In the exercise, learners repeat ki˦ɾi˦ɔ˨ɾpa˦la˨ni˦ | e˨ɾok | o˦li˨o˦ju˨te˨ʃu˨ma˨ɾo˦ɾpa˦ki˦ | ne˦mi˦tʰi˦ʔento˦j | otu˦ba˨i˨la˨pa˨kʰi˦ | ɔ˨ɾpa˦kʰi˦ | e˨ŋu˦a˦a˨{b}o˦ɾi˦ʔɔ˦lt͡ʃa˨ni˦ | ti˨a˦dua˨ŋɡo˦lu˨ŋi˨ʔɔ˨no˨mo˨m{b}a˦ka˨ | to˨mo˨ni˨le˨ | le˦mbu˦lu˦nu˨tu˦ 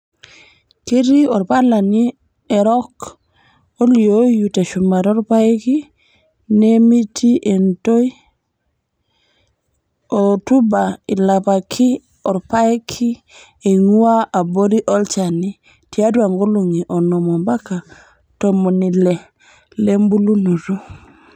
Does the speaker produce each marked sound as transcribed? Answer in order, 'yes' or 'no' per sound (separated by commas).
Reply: yes, yes